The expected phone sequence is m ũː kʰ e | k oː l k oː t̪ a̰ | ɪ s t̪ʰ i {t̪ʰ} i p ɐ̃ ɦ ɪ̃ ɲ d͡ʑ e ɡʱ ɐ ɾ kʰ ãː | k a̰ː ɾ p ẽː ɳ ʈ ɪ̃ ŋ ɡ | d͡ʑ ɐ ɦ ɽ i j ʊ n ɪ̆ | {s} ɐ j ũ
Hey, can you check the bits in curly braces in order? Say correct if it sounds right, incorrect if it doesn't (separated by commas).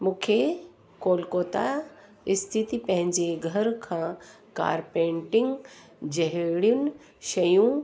incorrect, incorrect